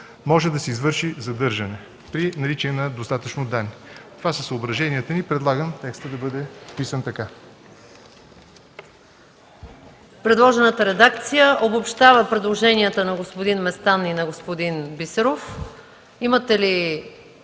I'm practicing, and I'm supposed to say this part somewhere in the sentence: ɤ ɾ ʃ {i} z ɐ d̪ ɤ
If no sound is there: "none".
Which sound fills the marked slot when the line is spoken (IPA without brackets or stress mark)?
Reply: i